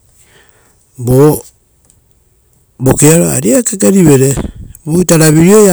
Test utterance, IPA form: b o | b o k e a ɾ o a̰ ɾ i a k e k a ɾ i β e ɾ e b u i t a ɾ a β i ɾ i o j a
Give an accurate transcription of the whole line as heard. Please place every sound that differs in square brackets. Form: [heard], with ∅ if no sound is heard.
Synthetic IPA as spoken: b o | b o k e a ɾ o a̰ ɾ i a k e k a ɾ i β e ɾ e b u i t a ɾ a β i ɾ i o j a